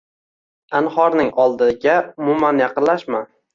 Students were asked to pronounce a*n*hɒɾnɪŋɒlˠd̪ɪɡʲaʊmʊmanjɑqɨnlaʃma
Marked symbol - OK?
yes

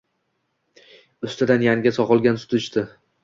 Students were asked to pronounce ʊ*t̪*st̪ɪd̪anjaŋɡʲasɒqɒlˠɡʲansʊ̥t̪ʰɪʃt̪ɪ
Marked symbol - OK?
no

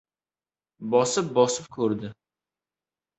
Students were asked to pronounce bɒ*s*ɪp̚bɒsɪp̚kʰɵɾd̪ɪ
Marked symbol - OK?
yes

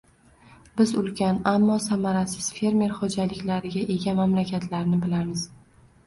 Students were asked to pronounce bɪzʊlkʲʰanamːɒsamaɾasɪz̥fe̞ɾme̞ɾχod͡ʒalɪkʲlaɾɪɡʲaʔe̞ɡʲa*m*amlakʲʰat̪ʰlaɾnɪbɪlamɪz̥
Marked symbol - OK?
yes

